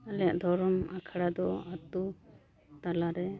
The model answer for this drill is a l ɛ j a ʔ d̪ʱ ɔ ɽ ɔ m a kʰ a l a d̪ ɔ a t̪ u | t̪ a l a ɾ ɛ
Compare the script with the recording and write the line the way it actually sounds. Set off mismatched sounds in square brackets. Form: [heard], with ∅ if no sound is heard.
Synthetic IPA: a l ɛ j a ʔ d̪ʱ ɔ [ɾ] ɔ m a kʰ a [ɽ] a d̪ ɔ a t̪ u | t̪ a l a ɾ ɛ

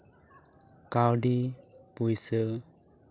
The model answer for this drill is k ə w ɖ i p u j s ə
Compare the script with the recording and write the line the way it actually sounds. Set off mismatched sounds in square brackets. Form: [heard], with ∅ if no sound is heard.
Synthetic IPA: k [a] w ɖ i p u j s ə

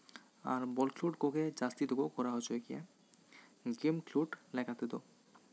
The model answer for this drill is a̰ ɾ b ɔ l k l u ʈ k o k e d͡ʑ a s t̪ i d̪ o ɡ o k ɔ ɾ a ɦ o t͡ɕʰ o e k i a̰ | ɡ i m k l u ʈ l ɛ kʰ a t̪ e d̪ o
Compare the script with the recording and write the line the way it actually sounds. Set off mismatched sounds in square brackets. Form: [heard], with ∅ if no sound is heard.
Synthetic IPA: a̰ ɾ b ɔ l k l u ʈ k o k e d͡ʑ a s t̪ i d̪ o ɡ o k ɔ ɾ a ɦ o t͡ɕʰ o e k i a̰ | ɡ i m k l u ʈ l ɛ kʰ a t̪ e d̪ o

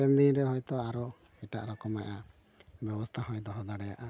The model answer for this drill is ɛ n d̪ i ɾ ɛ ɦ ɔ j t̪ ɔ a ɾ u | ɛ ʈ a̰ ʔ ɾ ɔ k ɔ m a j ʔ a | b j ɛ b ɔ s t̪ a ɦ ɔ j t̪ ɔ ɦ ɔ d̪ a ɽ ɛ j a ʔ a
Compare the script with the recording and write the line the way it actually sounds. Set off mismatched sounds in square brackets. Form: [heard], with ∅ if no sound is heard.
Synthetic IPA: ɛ n d̪ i ɾ ɛ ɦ ɔ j t̪ ɔ a ɾ [ɔ] | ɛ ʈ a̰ ʔ ɾ ɔ k ɔ m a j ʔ a | b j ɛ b ɔ s [t̪ʰ] a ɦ ɔ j [d̪] ɔ ɦ ɔ d̪ a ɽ ɛ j a ʔ a

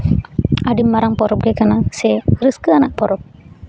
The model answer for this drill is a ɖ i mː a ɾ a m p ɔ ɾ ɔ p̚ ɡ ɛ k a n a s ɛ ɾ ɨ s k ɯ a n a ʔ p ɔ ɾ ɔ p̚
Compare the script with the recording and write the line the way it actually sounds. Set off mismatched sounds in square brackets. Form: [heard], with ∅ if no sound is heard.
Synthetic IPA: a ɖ i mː a ɾ a [ŋ] p ɔ ɾ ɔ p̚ ɡ ɛ k a n a s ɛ ɾ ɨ s k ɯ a n a ʔ p ɔ ɾ ɔ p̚

